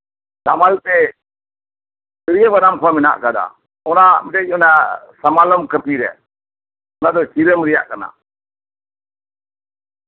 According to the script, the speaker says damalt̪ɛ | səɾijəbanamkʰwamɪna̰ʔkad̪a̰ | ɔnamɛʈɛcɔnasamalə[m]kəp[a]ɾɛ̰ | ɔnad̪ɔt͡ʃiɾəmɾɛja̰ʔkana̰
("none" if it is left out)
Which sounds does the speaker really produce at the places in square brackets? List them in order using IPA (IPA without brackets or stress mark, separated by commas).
m, i